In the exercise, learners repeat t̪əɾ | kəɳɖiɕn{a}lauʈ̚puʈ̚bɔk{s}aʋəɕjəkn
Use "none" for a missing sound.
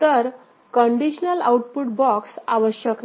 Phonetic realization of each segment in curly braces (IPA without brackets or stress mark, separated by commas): ə, s